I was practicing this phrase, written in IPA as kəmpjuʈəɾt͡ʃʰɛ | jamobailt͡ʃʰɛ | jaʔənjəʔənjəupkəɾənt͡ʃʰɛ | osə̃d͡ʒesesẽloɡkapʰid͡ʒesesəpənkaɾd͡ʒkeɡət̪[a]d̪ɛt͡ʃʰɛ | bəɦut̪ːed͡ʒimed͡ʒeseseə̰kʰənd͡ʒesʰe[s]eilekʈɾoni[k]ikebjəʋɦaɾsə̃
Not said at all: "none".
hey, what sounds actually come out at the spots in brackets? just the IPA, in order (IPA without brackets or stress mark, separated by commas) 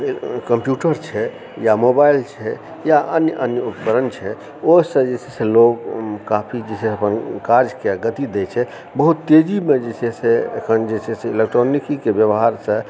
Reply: i, s, k